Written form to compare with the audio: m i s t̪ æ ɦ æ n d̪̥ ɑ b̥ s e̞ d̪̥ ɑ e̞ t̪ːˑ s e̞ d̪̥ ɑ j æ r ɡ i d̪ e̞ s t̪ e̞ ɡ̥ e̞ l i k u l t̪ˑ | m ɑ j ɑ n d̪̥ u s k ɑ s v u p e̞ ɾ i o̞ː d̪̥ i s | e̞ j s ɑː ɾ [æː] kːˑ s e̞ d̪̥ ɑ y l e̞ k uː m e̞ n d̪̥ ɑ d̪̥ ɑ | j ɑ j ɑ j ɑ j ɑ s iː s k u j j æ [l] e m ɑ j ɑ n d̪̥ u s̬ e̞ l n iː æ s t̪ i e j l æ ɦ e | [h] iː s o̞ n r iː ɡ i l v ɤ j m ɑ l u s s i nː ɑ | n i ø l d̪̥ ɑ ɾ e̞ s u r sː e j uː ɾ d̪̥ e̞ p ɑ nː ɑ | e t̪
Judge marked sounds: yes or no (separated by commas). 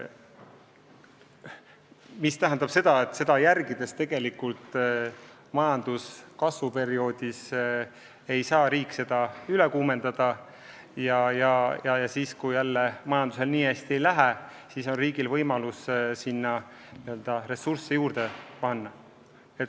no, no, no